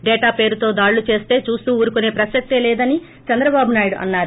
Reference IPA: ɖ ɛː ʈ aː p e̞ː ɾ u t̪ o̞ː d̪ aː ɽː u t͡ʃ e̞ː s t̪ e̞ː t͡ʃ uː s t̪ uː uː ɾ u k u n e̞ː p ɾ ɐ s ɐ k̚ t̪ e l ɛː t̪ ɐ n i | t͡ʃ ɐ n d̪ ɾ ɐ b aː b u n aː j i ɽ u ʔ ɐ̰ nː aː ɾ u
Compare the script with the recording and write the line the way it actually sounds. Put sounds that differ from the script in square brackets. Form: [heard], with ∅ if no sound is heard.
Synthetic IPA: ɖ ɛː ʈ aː p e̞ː ɾ u t̪ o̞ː d̪ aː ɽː u t͡ʃ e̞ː s t̪ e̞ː t͡ʃ uː s t̪ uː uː ɾ u k u n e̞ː p ɾ ɐ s ɐ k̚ t̪ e l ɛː [d̪] ɐ n i | t͡ʃ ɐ n d̪ ɾ ɐ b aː b u n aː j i ɽ u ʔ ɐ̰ nː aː ɾ u